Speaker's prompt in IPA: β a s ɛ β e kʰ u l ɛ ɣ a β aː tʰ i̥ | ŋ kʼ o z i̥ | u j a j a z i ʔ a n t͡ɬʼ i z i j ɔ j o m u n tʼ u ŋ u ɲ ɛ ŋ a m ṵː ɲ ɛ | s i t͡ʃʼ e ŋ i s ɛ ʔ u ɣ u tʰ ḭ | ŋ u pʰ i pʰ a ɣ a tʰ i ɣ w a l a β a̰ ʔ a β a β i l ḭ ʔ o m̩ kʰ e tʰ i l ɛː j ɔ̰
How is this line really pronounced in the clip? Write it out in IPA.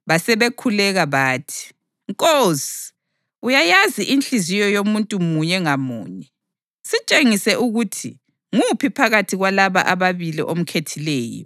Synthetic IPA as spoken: β a s ɛ β e kʰ u l ɛ ɣ a β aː tʰ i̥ | ŋ kʼ o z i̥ | u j a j a z i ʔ i n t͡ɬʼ i z i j ɔ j o m u n tʼ u m u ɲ ɛ ŋ a m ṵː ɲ ɛ | s i t͡ʃʼ e ŋ i s ɛ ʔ u ɣ u tʰ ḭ | ŋ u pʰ i pʰ a ɣ a tʰ i ɣ w a l a β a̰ ʔ a β a β i l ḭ ʔ o m̩ kʰ e tʰ i l ɛː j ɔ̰